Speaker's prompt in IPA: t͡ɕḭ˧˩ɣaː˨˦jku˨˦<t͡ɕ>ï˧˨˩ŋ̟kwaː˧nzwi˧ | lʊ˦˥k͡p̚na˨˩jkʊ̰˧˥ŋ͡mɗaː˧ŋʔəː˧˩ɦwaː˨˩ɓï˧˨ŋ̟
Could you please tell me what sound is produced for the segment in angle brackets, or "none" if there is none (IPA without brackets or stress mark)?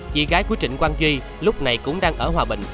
t͡ɕ